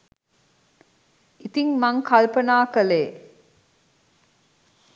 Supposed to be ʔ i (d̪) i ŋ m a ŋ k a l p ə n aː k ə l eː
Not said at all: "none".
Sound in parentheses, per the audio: t̪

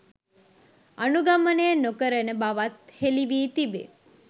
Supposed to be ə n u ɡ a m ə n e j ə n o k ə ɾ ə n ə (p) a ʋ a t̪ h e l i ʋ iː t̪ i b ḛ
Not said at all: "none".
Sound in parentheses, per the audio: b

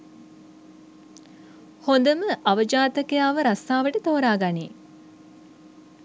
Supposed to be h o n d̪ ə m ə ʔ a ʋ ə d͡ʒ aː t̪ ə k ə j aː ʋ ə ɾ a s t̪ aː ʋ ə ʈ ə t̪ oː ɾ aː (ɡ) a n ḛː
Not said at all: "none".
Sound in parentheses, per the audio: ɡ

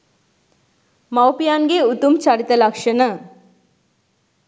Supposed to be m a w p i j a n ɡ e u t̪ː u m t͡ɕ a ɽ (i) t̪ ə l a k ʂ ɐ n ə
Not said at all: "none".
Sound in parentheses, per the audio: i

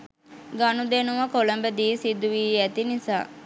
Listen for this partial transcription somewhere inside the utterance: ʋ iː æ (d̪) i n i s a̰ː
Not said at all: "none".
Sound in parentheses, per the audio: t̪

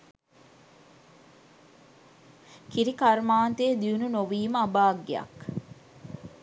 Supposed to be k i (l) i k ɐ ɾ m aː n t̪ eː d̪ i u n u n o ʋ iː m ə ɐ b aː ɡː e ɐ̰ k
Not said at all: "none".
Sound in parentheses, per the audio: ɾ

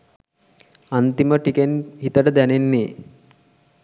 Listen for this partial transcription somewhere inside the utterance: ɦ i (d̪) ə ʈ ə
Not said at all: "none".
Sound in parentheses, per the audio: t̪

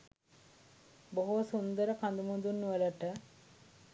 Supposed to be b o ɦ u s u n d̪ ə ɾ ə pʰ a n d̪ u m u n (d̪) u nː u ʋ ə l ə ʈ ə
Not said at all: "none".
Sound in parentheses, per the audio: d̪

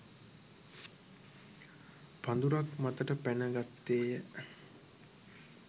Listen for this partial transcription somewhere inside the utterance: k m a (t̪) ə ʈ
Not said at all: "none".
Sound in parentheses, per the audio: t̪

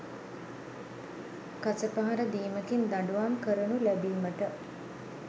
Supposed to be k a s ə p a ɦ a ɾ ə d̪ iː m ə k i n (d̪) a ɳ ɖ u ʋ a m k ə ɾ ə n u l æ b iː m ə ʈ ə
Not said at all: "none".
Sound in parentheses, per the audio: d̪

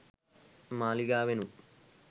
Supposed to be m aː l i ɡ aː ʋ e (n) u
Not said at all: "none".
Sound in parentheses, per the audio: n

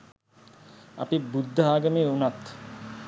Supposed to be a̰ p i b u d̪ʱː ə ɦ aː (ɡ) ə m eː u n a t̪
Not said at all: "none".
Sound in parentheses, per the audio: ɡ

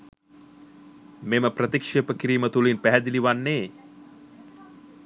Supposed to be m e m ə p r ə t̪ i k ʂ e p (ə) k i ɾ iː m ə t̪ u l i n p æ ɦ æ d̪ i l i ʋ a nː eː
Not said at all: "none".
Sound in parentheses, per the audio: ə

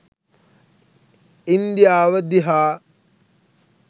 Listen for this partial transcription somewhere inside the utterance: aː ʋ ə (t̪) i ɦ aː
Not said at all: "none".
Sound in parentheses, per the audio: d̪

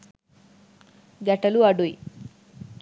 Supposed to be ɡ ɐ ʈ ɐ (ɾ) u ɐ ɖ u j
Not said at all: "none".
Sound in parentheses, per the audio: l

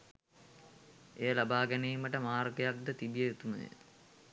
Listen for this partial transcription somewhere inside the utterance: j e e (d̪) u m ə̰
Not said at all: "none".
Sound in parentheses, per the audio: t̪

